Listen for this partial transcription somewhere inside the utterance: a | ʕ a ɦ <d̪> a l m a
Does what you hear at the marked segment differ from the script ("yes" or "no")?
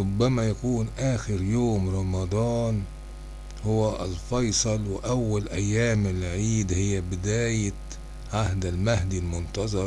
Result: no